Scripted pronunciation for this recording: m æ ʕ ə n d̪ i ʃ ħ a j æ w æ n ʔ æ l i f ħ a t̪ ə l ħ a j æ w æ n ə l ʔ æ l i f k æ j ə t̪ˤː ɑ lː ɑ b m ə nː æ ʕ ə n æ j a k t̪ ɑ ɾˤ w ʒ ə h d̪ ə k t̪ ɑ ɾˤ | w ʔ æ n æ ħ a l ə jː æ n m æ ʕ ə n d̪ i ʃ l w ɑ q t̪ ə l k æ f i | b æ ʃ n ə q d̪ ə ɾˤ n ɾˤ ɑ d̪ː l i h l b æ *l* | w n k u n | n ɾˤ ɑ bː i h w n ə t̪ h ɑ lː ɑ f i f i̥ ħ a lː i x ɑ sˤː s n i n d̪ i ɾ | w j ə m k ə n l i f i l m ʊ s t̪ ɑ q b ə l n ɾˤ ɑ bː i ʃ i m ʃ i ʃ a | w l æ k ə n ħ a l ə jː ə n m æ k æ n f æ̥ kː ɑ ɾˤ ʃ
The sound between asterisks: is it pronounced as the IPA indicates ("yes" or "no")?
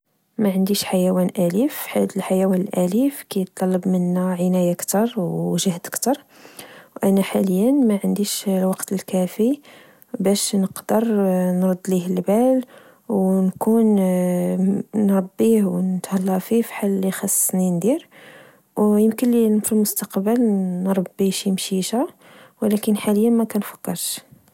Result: yes